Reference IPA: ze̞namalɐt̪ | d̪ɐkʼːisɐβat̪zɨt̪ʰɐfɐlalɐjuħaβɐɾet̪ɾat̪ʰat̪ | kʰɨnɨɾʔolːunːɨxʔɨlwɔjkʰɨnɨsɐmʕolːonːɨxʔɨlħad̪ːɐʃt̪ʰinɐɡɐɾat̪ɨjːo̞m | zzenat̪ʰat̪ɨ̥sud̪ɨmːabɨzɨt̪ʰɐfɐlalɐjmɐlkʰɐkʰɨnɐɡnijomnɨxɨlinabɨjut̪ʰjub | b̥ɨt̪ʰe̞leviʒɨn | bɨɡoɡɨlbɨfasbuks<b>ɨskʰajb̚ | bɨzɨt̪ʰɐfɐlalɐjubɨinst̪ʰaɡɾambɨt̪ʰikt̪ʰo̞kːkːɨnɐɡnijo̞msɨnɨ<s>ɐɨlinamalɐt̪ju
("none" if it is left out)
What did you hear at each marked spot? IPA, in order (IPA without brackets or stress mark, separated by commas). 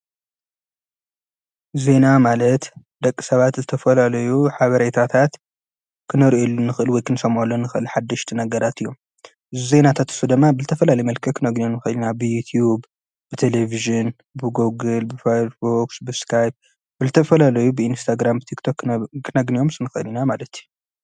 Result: b, x